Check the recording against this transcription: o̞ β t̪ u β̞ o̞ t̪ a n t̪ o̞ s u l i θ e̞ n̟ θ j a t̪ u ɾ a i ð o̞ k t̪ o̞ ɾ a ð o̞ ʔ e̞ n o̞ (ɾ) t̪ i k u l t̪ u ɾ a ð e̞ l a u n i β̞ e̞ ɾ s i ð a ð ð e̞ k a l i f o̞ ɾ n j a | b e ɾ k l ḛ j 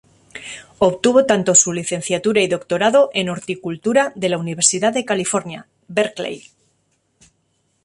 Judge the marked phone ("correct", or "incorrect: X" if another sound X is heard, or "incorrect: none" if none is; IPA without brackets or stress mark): correct